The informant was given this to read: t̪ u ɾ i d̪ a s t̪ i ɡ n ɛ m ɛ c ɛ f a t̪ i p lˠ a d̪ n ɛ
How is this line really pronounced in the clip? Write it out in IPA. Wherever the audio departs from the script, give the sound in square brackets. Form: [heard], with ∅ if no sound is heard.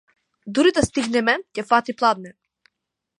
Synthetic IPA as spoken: [d̪] u ɾ i d̪ a s t̪ i ɡ n ɛ m ɛ c ɛ f a t̪ i p lˠ a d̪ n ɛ